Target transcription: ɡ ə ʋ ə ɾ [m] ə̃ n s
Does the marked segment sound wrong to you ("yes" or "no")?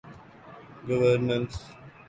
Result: yes